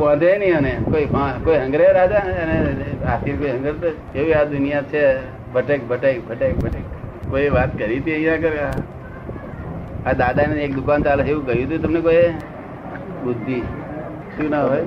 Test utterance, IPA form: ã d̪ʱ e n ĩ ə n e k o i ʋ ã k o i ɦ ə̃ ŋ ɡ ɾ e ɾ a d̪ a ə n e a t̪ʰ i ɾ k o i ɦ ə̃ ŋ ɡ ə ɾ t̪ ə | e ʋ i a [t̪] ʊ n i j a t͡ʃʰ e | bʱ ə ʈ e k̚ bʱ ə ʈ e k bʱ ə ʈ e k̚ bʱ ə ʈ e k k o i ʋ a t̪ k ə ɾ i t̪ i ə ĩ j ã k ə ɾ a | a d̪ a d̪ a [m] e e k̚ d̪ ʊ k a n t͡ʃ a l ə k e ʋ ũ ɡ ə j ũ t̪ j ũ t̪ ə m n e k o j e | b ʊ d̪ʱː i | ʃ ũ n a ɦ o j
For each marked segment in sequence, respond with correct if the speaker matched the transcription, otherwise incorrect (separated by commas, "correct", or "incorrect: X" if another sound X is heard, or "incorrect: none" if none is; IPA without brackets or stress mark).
incorrect: d̪, incorrect: n